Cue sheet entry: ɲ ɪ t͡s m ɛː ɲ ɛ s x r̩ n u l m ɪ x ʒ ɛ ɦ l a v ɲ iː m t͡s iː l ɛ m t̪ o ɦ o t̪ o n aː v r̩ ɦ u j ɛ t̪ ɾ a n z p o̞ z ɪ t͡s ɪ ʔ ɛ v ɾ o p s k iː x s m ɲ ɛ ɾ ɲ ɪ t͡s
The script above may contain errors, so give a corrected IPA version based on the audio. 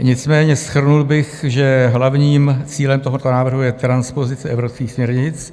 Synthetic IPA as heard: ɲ ɪ t͡s m ɛː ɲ ɛ s x r̩ n u l b ɪ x ʒ ɛ ɦ l a v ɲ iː m t͡s iː l ɛ m t̪ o ɦ o t̪ o n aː v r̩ ɦ u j ɛ t̪ ɾ a n s p o̞ z ɪ t͡s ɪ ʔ ɛ v ɾ o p s k iː x s m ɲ ɛ ɾ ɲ ɪ t͡s

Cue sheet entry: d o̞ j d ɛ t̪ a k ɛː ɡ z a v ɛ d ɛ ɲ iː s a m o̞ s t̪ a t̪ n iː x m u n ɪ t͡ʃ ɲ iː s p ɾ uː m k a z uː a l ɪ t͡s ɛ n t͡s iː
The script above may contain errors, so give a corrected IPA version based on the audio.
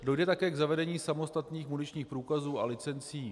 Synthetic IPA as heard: d o̞ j d ɛ t̪ a k ɛː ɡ z a v ɛ d ɛ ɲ iː s a m o̞ s t̪ a t̪ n iː x m u n ɪ t͡ʃ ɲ iː x p ɾ uː k a z uː a l ɪ t͡s ɛ n t͡s iː

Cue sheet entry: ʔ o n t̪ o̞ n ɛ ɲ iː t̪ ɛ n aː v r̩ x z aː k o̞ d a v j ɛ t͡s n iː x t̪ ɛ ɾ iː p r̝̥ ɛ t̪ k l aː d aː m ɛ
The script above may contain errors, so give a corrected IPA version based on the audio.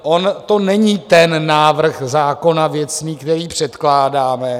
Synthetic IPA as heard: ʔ o n t̪ o̞ n ɛ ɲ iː t̪ ɛ nː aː v r̩ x z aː k o̞ n a v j ɛ t͡s n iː k t̪ ɛ ɾ iː p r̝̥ ɛ t̪ k l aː d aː m ɛ

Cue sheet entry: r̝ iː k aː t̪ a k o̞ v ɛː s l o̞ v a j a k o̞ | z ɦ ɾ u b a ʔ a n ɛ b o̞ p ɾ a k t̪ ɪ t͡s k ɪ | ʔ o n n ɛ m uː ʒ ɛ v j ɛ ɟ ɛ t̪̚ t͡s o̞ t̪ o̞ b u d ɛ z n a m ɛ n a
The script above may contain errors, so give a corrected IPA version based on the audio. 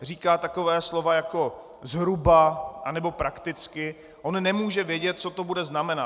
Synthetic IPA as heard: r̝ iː k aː t̪ a k o̞ v ɛː s l o̞ v a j a k o̞ | z ɦ ɾ u b a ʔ a n ɛ b o̞ p ɾ a k t̪ ɪ t͡s k ɪ | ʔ o n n ɛ m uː ʒ ɛ v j ɛ ɟ ɛ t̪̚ t͡s o̞ t̪ o̞ b u d ɛ z n a m ɛ n a

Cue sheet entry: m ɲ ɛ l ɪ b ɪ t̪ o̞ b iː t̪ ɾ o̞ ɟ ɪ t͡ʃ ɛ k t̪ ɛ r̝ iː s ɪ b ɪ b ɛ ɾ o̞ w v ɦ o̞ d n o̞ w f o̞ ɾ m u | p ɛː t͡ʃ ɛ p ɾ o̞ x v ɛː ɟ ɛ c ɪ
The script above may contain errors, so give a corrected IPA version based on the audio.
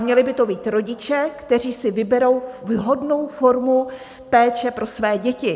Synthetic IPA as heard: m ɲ ɛ l ɪ b ɪ t̪ o̞ b iː t̪ ɾ o̞ ɟ ɪ t͡ʃ ɛ k t̪ ɛ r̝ iː s ɪ v ɪ b ɛ ɾ o̞ w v ɦ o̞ d n o̞ w f o̞ ɾ m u | p ɛː t͡ʃ ɛ p ɾ o̞ s v ɛː ɟ ɛ c ɪ

